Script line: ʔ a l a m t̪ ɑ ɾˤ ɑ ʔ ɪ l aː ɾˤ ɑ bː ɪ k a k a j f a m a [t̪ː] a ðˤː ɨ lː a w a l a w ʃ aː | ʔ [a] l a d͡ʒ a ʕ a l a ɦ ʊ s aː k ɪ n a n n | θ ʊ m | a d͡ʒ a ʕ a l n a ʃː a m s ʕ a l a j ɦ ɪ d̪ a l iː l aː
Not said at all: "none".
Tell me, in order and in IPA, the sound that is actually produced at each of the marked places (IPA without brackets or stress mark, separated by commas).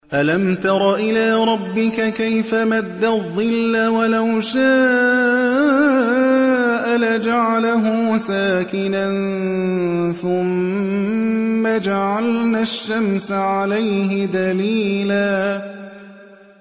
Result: d̪ː, a